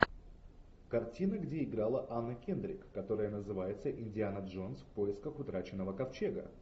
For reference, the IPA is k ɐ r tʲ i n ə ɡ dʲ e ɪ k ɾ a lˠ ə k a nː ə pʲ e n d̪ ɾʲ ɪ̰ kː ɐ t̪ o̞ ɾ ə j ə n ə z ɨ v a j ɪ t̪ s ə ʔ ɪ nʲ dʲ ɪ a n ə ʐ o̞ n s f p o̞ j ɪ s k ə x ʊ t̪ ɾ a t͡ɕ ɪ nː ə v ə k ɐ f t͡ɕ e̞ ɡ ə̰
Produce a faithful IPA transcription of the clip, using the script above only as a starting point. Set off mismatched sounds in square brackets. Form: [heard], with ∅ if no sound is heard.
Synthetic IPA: k ɐ r tʲ i n ə ɡ dʲ e ɪ [ɡ] ɾ a lˠ ə [ʔ] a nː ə [kʲ] e n d̪ ɾʲ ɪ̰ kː ɐ t̪ o̞ ɾ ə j ə n ə z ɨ v a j ɪ t̪ s ə ʔ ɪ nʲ dʲ ɪ a n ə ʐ o̞ n s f p o̞ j ɪ s k ə x ʊ t̪ ɾ a t͡ɕ ɪ nː ə v ə k ɐ f t͡ɕ e̞ ɡ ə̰